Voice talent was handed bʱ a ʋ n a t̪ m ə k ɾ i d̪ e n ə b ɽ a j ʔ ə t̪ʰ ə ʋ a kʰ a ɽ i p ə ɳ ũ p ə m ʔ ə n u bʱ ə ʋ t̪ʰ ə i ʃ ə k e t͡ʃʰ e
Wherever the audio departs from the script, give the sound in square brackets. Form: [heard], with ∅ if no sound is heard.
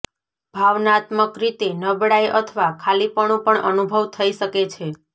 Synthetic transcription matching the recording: bʱ a ʋ n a t̪ m ə k ɾ i [t̪] e n ə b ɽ a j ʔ ə t̪ʰ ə ʋ a kʰ a [l] i p ə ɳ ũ p ə [ɳ] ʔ ə n u bʱ ə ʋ t̪ʰ ə i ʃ ə k e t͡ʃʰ e

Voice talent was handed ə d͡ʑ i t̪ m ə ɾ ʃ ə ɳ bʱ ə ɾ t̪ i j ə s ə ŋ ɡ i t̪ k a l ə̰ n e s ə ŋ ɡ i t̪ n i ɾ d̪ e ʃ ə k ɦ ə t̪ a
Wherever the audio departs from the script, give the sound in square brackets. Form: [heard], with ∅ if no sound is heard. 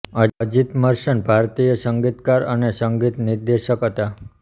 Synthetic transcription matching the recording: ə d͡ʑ i t̪ m ə ɾ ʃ ə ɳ bʱ [a] ɾ t̪ i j ə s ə ŋ ɡ i t̪ k a [ɾ] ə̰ n e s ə ŋ ɡ i t̪ n i ɾ d̪ e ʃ ə k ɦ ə t̪ a

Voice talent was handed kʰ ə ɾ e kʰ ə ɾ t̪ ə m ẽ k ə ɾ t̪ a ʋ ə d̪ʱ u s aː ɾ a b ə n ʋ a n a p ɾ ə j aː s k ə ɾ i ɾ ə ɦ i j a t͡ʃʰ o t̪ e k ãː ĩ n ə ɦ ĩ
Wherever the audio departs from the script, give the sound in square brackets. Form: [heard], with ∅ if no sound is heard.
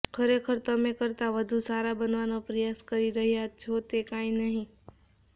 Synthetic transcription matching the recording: kʰ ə ɾ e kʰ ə ɾ t̪ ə m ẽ k ə ɾ t̪ a ʋ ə d̪ʱ u s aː ɾ a b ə n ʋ a n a p ɾ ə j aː s k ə ɾ i ɾ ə ɦ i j a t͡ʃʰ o t̪ e k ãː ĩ n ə ɦ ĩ

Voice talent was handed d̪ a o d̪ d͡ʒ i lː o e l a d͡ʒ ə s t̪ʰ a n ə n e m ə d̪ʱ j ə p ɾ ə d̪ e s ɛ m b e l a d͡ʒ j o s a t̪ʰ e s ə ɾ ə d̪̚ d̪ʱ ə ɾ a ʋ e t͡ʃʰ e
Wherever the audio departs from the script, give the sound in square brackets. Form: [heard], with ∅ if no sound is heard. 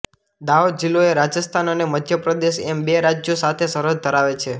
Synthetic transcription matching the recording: d̪ a o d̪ d͡ʒ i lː o e [ɾ] a d͡ʒ ə s t̪ʰ a n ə n e m ə d̪ʱ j ə p ɾ ə d̪ e [ʃ] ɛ m b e [ɾ] a d͡ʒ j o s a t̪ʰ e s ə ɾ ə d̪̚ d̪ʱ ə ɾ a ʋ e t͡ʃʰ e

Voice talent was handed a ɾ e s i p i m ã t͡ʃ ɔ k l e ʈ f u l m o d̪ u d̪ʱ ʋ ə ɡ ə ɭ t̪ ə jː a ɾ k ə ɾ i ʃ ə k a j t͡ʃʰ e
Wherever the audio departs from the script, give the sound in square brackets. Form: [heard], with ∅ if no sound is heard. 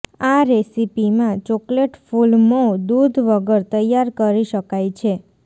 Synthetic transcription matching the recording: a ɾ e s i p i m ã t͡ʃ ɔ k l e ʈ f u l m o d̪ u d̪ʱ ʋ ə ɡ ə [ɾ] t̪ ə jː a ɾ k ə ɾ i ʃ ə k a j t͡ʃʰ e

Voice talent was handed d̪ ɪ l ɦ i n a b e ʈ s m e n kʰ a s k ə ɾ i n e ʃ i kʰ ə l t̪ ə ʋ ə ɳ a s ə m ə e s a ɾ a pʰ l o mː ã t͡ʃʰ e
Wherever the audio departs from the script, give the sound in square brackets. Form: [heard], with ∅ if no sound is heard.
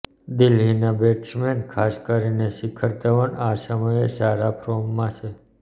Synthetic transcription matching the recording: d̪ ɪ l ɦ i n a b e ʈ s m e n kʰ a s k ə ɾ i n e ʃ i kʰ ə [ɾ] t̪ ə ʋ ə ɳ a s ə m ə e s a ɾ a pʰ [ɾ] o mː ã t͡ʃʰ e

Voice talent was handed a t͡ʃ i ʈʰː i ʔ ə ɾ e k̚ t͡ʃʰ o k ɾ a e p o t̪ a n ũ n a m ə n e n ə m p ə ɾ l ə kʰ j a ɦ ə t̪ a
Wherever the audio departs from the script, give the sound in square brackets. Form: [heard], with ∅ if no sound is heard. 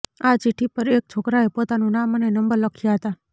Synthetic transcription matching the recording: a t͡ʃ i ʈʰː i [p] ə ɾ e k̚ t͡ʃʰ o k ɾ a e p o t̪ a n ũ n a m ə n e n ə m [b] ə ɾ l ə kʰ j a ɦ ə t̪ a

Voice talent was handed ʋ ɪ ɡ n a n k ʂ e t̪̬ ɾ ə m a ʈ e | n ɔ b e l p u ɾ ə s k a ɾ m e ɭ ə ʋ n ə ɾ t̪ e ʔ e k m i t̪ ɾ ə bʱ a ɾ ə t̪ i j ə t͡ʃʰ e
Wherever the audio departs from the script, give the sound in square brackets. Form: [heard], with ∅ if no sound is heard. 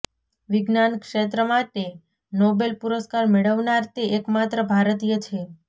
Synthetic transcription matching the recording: ʋ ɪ ɡ n a n k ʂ e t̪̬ ɾ ə m a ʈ e | n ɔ b e l p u ɾ ə s k a ɾ m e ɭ ə ʋ n [a] ɾ t̪ e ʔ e k m [a] t̪ ɾ ə bʱ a ɾ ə t̪ i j ə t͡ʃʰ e

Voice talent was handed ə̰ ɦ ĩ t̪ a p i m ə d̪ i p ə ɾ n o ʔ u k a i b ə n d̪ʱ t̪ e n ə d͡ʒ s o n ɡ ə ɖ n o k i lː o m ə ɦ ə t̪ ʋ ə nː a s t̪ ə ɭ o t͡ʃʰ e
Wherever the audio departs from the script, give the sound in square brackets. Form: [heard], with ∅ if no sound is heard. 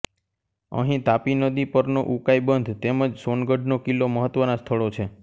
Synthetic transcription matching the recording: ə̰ ɦ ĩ t̪ a p i [n] ə d̪ i p ə ɾ n o ʔ u k a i b ə n d̪ʱ t̪ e [m] ə d͡ʒ s o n ɡ ə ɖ n o k i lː o m ə ɦ ə t̪ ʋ ə [n] a s [t̪ʰ] ə ɭ o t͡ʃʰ e

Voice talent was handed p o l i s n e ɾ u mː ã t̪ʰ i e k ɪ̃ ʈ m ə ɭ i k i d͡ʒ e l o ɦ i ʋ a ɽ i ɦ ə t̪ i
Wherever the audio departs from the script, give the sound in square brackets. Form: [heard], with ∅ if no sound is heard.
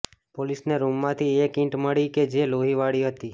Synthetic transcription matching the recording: p o l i s n e ɾ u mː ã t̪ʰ i e k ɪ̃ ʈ m ə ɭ i k [e] d͡ʒ e l o ɦ i ʋ a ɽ i ɦ ə t̪ i

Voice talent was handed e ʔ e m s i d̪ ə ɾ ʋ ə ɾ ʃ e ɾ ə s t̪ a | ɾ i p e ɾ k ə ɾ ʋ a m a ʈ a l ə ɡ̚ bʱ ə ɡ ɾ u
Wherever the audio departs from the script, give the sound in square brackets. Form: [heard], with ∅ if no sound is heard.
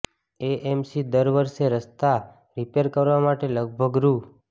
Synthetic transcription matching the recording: e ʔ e m s i d̪ ə ɾ ʋ ə ɾ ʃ e ɾ ə s t̪ a | ɾ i p e ɾ k ə ɾ ʋ a m a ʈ [e] l ə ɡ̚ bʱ ə ɡ ɾ u

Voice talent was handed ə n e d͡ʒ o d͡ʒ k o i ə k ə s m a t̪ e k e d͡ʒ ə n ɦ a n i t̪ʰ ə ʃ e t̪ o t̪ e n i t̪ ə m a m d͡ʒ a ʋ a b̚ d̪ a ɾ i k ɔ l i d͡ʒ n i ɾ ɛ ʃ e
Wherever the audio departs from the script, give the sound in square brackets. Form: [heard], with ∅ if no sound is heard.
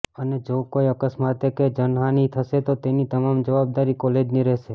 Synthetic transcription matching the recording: ə n e d͡ʒ o [∅] k o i ə k ə s m a t̪ e k e d͡ʒ ə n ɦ a n i t̪ʰ ə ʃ e t̪ o t̪ e n i t̪ ə m a m d͡ʒ [ə] ʋ a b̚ d̪ a ɾ i k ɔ l [e] d͡ʒ n i ɾ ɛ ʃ e

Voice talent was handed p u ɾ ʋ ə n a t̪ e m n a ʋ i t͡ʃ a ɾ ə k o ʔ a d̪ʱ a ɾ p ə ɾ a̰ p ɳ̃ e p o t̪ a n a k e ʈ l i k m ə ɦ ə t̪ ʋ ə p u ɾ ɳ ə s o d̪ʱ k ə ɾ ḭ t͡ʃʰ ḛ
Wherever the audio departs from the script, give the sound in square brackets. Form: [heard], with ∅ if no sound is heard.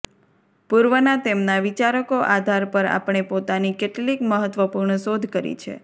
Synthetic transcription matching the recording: p u ɾ ʋ ə n a t̪ e m n a ʋ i t͡ʃ a ɾ ə k o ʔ a d̪ʱ a ɾ p ə ɾ a̰ p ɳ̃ e p o t̪ a n [i] k e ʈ l i k m ə ɦ ə t̪ ʋ ə p u ɾ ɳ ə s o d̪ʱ k ə ɾ ḭ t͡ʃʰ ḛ

